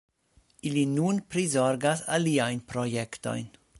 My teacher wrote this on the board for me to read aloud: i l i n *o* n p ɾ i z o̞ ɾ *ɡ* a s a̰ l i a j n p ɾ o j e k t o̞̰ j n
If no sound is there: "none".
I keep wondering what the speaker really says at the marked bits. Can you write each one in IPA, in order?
u, ɡ

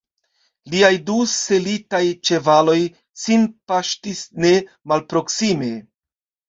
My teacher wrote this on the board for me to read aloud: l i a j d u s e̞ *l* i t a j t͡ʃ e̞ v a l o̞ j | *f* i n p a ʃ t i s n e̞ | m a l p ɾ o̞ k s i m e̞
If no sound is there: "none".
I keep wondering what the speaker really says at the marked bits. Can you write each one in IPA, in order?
l, s

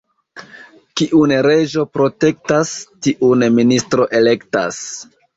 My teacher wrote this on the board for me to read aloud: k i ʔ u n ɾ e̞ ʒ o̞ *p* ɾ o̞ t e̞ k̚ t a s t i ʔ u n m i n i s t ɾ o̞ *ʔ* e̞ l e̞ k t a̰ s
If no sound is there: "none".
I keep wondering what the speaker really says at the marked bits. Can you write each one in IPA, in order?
p, ʔ

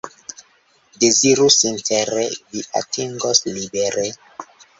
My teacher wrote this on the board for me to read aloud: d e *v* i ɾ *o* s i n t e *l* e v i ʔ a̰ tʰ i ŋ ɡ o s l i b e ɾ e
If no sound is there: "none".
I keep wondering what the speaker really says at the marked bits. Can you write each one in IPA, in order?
z, u, ɾ

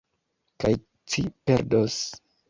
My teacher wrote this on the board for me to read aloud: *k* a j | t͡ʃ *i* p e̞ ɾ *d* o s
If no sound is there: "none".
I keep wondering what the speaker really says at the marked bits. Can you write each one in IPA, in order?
k, i, d

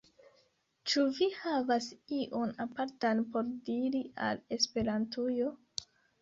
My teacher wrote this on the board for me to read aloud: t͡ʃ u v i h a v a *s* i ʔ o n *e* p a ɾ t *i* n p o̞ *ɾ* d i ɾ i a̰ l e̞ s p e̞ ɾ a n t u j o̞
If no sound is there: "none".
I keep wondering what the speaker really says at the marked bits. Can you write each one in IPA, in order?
s, a, a, ɾ

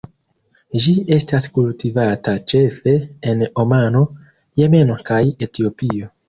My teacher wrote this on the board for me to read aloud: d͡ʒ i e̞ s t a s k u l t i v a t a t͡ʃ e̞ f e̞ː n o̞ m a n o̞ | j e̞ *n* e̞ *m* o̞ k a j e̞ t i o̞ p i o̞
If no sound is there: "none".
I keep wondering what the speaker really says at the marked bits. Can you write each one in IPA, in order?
m, n

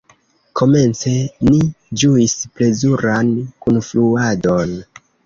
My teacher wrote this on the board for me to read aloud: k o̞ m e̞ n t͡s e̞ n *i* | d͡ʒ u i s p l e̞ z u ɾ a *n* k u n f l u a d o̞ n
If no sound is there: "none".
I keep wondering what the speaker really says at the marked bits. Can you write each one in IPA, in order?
i, n

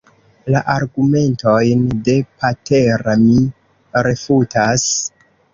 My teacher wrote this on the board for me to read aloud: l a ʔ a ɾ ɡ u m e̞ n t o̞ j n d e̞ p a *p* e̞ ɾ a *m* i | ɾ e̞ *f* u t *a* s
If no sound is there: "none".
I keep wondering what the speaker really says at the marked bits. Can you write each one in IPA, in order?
t, m, f, a

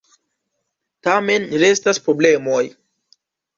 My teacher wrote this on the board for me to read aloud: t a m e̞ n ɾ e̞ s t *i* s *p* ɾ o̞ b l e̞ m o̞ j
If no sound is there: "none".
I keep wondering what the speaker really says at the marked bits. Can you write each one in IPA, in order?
a, p

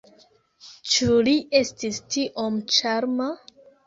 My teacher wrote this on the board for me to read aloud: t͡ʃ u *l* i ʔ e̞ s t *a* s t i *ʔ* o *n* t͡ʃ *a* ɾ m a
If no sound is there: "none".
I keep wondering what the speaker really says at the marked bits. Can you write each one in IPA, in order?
l, i, ʔ, m, a

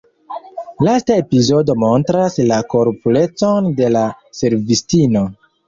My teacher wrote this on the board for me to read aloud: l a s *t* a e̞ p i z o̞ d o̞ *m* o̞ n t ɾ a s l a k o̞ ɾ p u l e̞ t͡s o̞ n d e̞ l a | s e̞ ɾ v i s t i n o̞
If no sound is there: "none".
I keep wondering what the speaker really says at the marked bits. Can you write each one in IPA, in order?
t, m

